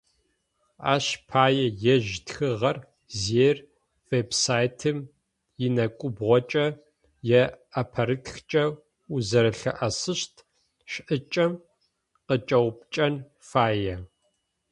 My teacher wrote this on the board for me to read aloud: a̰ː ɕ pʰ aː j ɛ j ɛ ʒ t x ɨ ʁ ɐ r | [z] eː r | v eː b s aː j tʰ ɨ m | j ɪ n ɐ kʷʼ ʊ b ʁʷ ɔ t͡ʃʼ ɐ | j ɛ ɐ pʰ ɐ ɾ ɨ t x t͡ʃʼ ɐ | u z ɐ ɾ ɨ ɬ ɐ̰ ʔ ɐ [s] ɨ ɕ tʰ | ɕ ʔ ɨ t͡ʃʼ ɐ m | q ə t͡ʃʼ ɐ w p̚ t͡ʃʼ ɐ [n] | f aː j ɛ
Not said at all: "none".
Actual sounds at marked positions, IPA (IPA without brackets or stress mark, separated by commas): z, s, n